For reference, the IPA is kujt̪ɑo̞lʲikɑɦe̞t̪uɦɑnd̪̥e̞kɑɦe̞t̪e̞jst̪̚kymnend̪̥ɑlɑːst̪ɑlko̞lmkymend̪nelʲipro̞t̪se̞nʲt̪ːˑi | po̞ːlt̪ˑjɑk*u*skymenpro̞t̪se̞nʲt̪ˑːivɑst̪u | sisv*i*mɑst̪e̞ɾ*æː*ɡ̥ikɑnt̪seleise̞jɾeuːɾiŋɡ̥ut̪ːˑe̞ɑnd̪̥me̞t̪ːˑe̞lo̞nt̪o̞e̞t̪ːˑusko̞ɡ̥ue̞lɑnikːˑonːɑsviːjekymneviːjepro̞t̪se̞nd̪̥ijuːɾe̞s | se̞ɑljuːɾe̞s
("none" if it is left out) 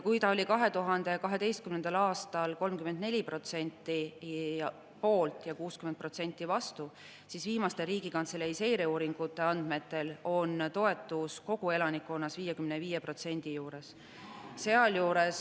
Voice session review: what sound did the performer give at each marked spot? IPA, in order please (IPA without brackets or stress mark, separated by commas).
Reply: uː, iː, iː